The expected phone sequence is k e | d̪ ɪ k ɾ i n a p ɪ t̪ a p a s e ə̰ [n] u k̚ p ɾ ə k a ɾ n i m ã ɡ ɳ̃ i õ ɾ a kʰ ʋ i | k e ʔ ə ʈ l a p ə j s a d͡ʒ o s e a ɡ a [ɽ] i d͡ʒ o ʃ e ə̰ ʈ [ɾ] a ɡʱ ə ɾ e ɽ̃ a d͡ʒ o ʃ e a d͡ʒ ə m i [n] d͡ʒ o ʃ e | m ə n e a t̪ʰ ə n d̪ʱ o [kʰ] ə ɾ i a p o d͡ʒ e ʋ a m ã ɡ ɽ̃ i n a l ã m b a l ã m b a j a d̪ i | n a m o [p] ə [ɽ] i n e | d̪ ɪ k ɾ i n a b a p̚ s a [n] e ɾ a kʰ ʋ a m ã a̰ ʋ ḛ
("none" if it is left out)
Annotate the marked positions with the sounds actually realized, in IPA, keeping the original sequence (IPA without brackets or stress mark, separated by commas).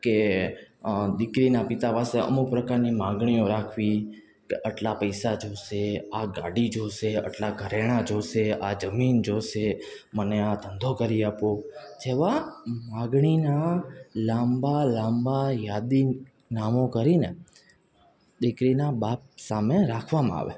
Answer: m, ɽ, l, n, k, k, ɾ, m